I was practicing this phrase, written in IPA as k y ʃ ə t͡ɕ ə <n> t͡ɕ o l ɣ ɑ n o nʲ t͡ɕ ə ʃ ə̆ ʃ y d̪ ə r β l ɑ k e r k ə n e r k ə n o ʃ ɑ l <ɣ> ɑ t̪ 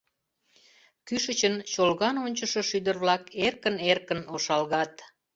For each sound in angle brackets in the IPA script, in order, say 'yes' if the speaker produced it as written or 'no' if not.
yes, yes

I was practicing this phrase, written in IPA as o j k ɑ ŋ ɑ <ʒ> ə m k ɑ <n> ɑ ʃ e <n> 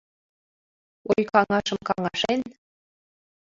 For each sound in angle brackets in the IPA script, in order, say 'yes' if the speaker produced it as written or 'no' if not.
no, no, yes

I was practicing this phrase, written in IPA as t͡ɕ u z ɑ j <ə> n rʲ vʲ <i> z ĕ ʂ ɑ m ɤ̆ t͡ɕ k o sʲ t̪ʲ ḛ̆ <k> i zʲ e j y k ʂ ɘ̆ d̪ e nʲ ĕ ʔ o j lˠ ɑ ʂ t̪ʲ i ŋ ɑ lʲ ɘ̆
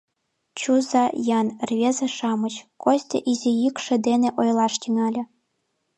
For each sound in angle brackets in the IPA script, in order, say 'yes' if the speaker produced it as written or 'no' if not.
no, no, no

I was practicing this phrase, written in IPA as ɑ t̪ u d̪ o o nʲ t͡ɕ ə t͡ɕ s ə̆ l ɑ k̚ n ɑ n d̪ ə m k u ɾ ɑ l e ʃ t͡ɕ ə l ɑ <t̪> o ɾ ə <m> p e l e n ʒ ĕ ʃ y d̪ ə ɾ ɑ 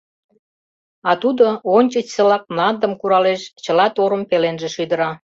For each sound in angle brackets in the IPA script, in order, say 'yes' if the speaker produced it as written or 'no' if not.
yes, yes

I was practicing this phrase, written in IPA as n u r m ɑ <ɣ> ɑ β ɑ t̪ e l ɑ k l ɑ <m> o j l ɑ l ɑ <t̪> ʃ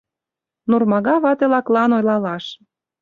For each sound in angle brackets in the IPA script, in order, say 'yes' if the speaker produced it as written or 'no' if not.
yes, no, no

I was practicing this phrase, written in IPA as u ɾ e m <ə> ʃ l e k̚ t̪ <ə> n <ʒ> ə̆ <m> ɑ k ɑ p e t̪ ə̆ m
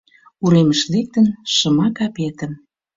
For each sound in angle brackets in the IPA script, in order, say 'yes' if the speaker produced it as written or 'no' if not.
yes, yes, no, yes

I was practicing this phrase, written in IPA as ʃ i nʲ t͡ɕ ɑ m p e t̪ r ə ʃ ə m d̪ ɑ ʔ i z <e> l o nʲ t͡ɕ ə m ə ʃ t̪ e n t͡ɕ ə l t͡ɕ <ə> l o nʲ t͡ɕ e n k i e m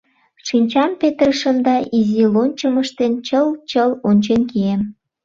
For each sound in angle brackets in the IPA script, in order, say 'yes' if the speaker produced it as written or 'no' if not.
no, yes

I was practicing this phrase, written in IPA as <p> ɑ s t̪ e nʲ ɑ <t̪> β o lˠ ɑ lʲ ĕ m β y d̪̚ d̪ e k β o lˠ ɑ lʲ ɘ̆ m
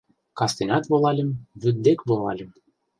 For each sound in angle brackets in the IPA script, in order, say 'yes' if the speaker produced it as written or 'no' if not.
no, yes

